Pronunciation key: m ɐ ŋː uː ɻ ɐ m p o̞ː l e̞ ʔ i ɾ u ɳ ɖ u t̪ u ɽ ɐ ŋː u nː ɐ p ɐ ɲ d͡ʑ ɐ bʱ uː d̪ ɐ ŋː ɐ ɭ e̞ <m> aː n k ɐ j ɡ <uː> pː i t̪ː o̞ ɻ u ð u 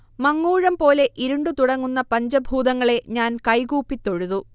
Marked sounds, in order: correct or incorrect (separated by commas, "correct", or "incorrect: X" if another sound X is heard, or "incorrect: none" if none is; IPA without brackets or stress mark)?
incorrect: ɲ, correct